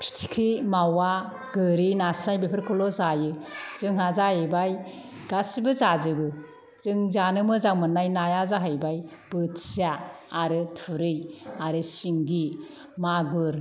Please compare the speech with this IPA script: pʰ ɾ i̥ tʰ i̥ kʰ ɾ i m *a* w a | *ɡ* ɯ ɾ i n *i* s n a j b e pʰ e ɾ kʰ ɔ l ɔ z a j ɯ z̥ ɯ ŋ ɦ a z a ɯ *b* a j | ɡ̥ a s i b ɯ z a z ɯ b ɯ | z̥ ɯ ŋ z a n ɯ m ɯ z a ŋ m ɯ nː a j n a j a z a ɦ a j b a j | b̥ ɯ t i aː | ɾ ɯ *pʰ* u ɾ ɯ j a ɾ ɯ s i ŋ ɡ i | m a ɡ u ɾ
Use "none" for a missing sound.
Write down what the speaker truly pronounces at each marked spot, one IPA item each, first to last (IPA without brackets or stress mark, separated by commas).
a, ɡ, a, b, tʰ